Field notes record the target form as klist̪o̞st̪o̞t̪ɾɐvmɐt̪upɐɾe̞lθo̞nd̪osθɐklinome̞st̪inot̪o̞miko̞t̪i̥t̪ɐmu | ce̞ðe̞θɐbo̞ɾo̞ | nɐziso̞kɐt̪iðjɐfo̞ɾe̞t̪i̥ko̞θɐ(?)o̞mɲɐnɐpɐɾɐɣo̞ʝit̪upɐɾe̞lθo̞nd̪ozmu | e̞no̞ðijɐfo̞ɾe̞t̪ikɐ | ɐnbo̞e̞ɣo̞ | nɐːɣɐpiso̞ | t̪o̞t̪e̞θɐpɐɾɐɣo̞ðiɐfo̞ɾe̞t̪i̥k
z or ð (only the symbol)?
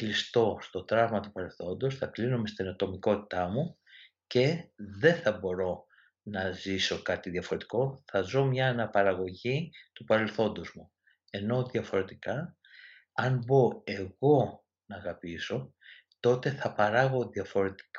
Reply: z